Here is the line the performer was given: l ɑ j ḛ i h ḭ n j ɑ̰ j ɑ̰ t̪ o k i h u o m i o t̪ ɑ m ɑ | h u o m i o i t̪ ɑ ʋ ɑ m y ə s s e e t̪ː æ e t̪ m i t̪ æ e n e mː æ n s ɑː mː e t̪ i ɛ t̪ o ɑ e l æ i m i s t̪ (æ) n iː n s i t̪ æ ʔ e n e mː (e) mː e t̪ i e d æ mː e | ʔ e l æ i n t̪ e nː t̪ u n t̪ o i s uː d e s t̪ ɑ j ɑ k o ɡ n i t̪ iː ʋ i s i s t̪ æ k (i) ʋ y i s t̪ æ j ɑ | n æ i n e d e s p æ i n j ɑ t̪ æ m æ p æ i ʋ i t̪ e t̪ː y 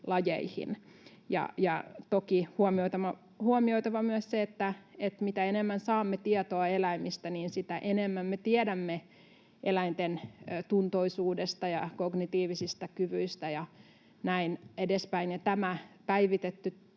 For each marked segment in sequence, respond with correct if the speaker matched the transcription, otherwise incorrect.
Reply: correct, incorrect: æ, incorrect: y

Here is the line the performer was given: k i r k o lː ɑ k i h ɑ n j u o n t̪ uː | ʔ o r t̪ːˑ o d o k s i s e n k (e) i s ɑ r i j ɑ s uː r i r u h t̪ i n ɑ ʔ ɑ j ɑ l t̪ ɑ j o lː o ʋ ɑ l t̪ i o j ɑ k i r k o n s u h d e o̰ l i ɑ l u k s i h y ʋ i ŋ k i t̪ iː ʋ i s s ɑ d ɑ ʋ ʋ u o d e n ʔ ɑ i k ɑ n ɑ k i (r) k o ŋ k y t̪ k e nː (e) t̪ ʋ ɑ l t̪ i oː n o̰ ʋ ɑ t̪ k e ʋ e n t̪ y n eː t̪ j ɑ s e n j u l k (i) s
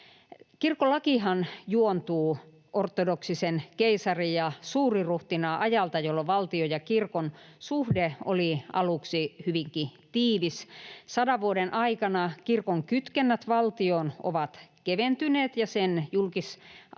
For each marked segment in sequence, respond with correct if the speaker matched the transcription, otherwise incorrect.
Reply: correct, correct, incorrect: æ, correct

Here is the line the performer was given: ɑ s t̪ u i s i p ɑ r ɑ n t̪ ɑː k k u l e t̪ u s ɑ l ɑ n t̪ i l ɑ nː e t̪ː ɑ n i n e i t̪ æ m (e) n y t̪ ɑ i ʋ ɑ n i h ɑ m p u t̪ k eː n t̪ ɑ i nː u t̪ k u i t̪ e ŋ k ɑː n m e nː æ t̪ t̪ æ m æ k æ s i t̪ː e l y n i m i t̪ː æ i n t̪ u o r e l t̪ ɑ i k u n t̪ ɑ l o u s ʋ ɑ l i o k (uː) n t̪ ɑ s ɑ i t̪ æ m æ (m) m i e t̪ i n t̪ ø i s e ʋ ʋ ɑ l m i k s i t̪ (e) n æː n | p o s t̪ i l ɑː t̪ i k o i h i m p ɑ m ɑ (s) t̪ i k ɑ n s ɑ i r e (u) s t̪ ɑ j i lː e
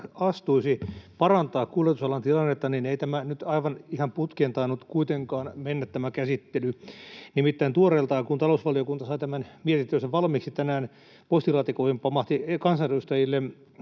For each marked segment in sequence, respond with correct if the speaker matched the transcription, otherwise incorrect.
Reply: incorrect: æ, incorrect: u, incorrect: n, incorrect: æ, incorrect: h, correct

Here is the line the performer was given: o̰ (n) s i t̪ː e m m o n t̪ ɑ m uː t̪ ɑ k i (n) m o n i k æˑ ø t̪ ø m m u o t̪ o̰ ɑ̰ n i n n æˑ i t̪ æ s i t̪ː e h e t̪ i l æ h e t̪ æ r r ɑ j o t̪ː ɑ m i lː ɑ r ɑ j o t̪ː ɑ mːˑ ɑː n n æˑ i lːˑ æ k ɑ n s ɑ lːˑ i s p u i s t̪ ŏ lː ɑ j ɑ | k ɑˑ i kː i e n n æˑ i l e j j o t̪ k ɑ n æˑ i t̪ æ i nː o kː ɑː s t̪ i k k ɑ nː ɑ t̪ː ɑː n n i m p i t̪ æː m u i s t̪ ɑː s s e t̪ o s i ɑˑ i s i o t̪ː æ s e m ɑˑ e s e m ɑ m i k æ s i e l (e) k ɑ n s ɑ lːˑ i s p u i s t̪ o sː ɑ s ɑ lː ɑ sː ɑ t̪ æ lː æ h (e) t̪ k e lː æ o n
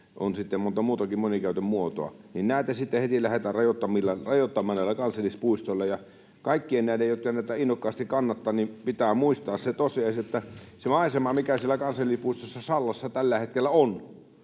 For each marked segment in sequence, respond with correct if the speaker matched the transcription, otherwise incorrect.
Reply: correct, incorrect: m, incorrect: æ, correct

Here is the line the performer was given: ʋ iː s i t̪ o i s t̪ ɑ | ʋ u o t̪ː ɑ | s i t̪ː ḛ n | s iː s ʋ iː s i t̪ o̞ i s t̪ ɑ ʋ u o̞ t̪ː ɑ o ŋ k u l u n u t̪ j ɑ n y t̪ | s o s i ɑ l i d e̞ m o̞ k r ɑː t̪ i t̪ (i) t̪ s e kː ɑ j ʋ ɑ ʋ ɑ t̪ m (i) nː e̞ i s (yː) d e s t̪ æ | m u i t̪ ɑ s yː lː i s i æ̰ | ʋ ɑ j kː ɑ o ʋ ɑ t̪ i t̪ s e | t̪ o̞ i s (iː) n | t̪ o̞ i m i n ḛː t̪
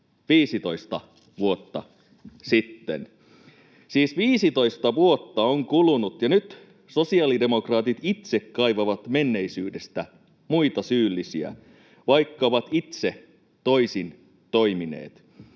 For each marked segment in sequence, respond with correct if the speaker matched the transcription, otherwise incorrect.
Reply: correct, incorrect: e, correct, incorrect: i

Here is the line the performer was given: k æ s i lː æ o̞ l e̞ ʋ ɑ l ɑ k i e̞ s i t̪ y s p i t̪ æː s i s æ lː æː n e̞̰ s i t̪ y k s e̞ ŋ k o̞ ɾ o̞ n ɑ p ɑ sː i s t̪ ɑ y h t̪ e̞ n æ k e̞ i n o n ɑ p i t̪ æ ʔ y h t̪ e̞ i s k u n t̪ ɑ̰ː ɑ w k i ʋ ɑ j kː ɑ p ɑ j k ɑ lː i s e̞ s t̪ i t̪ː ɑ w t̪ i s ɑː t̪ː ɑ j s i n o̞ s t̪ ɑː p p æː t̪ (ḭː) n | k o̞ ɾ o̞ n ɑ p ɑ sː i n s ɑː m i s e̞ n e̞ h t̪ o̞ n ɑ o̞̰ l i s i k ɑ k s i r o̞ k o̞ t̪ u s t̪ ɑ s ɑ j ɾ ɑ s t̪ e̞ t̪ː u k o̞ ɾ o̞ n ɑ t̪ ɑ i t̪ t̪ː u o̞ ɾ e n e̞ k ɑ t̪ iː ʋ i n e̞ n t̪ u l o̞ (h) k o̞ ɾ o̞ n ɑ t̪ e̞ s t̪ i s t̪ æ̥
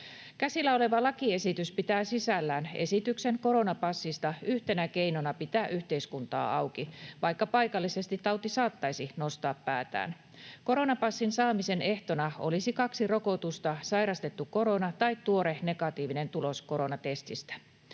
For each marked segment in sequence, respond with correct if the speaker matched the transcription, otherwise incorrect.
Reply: incorrect: æ̰ː, incorrect: s

